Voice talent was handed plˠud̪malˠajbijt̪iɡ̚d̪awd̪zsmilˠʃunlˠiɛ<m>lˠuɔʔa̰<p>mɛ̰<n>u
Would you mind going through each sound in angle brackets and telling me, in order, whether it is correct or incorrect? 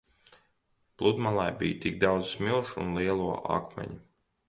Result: incorrect: none, incorrect: k, incorrect: ɲ

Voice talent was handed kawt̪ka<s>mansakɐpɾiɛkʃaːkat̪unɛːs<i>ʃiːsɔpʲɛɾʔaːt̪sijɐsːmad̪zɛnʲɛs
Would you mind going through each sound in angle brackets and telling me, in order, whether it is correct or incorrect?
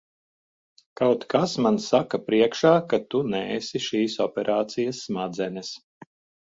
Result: correct, correct

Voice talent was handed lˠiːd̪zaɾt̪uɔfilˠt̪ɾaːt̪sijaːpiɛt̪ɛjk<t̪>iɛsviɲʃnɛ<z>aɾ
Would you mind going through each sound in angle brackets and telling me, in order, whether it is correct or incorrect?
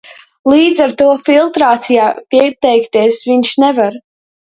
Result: correct, incorrect: v

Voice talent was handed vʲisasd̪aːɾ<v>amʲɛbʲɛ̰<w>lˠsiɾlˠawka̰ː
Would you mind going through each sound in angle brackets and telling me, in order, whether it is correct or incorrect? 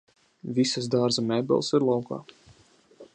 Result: incorrect: z, incorrect: none

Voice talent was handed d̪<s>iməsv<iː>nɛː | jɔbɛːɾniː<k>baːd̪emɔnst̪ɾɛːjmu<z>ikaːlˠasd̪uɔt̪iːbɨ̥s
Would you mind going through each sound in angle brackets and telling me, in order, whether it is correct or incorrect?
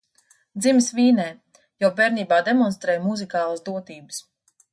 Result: incorrect: z, correct, incorrect: none, correct

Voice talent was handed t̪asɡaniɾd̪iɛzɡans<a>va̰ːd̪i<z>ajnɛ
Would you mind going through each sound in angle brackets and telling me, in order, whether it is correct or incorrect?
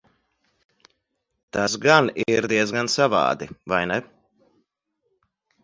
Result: correct, incorrect: v

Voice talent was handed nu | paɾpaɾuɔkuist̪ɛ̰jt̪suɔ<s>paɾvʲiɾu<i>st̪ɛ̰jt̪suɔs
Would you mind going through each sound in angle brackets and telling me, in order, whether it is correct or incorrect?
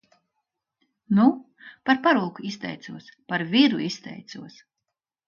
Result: correct, correct

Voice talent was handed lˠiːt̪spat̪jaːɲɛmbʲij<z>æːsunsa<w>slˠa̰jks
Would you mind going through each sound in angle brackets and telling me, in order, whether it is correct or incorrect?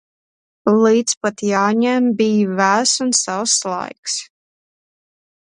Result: incorrect: v, correct

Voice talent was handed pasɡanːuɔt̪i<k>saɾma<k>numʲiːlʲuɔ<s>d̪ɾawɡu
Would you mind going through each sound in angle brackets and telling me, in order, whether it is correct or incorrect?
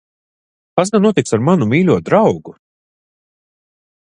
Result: correct, incorrect: none, incorrect: none

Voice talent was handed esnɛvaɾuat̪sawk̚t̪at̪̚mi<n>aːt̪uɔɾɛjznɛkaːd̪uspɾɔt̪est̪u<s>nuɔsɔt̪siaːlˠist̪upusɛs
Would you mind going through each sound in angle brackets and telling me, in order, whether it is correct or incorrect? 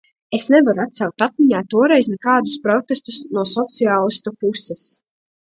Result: incorrect: ɲ, correct

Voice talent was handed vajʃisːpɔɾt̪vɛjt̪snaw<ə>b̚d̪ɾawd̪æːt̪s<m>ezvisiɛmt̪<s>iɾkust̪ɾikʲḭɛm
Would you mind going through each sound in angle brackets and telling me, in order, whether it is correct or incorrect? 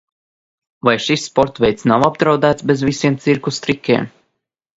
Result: incorrect: a, incorrect: b, correct

